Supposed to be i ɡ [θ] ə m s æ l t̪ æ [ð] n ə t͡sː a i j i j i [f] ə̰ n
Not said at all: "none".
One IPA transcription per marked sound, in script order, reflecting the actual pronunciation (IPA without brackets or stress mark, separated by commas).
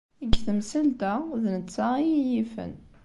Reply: θ, ð, f